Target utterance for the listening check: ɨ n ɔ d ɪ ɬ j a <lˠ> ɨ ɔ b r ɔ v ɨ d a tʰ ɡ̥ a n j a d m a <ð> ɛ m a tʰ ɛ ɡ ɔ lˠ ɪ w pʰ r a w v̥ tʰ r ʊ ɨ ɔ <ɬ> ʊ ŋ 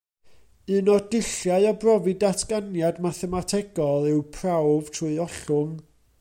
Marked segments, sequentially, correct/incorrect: incorrect, incorrect, correct

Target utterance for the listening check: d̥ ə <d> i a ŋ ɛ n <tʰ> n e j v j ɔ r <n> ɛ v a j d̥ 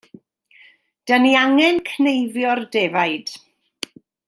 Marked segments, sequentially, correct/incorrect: incorrect, incorrect, incorrect

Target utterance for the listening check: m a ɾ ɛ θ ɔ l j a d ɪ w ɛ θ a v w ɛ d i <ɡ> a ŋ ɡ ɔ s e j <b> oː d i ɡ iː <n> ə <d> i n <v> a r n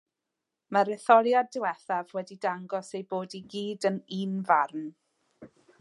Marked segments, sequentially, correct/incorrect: incorrect, correct, incorrect, incorrect, correct

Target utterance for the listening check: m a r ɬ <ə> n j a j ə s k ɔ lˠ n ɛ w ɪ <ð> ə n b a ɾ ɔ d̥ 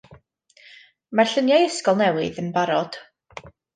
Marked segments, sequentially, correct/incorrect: correct, correct

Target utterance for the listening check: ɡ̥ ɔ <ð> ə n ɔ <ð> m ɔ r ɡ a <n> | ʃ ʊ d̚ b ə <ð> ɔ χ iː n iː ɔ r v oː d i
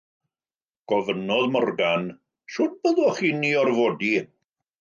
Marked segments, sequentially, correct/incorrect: incorrect, correct, correct, correct

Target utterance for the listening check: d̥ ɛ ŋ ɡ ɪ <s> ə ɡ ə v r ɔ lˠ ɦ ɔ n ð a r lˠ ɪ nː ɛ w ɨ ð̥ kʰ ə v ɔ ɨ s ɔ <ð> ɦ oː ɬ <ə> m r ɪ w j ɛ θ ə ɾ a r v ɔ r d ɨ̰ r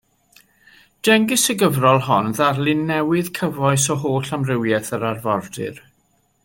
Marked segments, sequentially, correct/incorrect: correct, incorrect, incorrect

